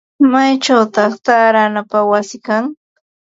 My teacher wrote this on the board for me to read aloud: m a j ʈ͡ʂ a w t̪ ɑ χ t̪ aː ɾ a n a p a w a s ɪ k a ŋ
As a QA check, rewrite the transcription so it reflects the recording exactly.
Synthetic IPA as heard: m a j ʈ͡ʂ a w t̪ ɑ χ t̪ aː ɾ a n a p a w a s ɪ k a ŋ